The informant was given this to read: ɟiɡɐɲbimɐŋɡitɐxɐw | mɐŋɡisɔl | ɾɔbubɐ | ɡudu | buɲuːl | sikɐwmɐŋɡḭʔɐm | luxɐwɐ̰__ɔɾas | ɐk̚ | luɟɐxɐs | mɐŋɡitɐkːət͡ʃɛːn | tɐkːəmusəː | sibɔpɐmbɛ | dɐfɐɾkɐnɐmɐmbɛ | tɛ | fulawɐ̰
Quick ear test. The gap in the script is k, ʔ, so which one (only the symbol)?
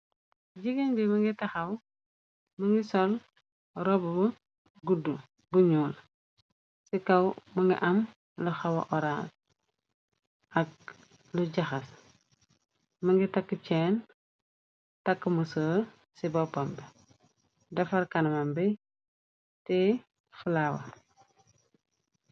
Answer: ʔ